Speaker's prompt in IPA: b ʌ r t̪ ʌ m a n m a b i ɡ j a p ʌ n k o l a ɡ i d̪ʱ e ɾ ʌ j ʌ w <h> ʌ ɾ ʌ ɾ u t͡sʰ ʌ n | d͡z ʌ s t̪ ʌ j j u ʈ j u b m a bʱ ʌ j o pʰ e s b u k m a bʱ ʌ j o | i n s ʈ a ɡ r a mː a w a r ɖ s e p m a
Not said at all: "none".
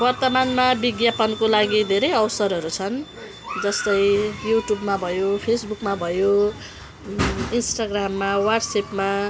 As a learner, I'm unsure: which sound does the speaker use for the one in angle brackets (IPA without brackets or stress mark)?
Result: s